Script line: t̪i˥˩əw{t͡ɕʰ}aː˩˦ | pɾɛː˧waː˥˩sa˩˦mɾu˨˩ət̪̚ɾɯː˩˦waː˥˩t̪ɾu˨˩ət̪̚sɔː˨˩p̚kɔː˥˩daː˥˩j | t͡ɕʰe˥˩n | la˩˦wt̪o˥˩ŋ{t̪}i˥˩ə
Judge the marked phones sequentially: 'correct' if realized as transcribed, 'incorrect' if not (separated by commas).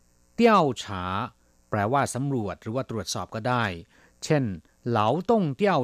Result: correct, correct